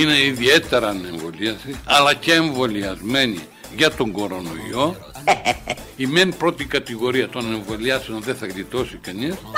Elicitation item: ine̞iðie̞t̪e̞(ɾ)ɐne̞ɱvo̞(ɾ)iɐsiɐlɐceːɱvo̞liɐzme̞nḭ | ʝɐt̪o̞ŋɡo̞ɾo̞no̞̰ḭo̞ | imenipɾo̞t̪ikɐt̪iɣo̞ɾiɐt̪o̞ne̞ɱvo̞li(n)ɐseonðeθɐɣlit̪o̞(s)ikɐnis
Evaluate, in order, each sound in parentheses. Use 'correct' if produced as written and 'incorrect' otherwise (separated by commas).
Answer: correct, incorrect, incorrect, correct